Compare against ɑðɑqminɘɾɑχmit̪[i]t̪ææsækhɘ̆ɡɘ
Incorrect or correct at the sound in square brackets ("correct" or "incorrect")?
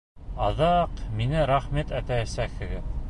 incorrect